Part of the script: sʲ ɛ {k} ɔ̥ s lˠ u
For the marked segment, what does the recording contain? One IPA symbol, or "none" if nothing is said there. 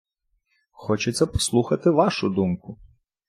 p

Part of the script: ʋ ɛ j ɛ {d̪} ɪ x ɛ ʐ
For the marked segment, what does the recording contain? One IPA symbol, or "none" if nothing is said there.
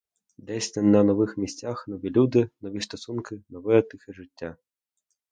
t̪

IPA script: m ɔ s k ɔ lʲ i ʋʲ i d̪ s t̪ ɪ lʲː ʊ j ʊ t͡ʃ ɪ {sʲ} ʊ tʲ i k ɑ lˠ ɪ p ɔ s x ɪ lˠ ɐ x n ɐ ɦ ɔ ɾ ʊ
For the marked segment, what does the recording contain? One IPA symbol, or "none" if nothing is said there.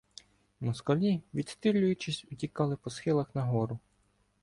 sʲ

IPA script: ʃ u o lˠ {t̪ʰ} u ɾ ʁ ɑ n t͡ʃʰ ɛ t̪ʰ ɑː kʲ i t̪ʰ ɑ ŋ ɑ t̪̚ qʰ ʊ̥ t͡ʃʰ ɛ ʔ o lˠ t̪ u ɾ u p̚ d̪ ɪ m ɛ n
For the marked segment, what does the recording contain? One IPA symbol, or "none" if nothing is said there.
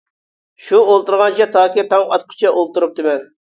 t̪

